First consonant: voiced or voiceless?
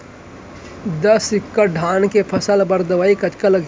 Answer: voiced